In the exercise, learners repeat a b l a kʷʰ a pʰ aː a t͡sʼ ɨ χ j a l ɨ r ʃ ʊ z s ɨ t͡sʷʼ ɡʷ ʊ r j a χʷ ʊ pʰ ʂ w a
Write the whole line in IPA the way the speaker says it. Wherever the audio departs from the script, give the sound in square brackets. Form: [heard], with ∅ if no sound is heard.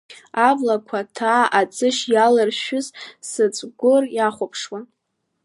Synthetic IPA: a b l a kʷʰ a [tʰ] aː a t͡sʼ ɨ [ʃ] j a l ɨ r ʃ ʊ z s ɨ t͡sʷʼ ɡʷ ʊ r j a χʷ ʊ pʰ ʂ w a